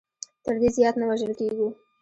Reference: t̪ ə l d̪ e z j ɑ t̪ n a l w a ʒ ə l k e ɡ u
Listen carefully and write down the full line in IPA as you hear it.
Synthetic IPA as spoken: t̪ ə ɾ d̪ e z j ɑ t̪ n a w a ʒ ə l k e ɡ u